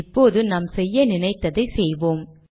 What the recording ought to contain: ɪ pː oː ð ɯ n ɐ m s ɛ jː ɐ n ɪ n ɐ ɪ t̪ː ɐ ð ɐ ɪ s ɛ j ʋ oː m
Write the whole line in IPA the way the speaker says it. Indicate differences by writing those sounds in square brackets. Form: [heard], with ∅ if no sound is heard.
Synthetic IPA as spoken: ɪ pː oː ð ɯ n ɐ m s ɛ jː ɐ n ɪ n ɐ ɪ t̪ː ɐ ð ɐ ɪ s ɛ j ʋ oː m